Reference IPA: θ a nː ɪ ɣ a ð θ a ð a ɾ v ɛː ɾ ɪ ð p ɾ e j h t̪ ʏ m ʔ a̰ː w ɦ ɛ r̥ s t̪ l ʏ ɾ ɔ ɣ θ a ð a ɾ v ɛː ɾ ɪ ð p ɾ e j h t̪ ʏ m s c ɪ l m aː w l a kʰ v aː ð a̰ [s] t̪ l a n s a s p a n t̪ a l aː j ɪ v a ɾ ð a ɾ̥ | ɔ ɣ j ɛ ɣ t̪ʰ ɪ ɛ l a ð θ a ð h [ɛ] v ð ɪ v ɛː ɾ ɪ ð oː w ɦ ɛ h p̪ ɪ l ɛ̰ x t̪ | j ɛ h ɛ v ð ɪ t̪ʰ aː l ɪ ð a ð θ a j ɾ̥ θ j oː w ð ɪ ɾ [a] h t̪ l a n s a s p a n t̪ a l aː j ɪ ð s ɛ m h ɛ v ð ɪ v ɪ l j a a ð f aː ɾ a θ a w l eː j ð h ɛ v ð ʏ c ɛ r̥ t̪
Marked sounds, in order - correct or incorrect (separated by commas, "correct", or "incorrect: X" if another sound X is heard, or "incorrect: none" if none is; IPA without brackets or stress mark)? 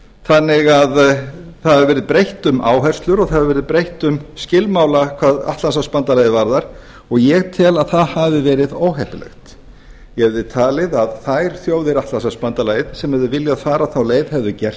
incorrect: h, incorrect: a, correct